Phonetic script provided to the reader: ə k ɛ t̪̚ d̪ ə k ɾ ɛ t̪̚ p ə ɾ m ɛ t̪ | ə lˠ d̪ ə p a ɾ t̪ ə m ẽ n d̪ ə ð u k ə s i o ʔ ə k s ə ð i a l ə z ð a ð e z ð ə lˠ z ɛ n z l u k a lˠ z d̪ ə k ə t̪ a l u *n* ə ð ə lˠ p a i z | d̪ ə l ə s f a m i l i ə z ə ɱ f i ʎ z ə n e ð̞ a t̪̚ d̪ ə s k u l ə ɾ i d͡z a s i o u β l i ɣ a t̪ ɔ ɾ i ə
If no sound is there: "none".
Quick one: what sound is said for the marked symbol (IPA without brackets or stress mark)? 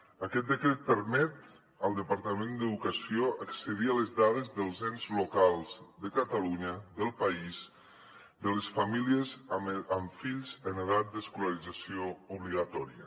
ɲ